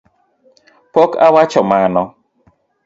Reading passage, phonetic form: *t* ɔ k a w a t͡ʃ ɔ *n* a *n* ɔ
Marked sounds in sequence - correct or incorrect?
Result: incorrect, incorrect, correct

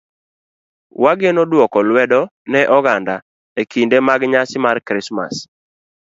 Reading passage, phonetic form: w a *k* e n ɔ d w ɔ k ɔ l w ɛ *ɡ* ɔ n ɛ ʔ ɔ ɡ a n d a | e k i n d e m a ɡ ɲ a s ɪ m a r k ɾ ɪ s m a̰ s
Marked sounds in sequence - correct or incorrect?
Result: incorrect, incorrect

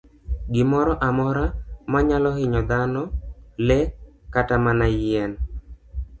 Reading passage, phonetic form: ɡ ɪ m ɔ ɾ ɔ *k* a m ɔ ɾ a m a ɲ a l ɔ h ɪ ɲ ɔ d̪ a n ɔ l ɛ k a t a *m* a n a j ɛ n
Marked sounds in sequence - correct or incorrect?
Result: incorrect, correct

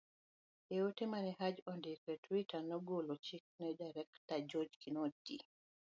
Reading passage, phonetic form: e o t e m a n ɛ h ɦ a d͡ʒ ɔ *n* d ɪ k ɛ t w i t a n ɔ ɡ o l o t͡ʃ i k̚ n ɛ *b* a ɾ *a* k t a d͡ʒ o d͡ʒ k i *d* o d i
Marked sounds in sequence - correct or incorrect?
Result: correct, incorrect, incorrect, incorrect

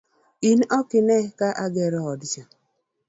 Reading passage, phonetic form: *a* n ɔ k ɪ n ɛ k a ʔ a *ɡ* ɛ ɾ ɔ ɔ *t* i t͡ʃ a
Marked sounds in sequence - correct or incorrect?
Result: incorrect, correct, incorrect

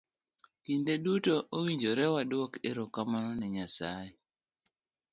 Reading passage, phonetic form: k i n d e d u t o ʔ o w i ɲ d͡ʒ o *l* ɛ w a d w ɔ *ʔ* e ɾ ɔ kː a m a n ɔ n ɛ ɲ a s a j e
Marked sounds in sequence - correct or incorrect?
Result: incorrect, incorrect

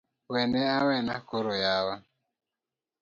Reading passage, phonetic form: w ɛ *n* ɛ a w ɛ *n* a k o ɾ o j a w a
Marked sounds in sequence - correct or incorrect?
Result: correct, correct

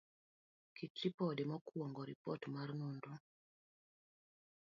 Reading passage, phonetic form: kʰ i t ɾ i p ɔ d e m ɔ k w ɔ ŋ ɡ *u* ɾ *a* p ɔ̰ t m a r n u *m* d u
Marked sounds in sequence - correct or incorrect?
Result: incorrect, incorrect, incorrect

